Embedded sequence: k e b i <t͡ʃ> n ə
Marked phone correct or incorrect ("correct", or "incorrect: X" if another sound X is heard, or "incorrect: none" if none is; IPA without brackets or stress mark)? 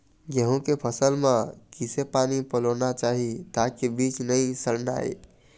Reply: correct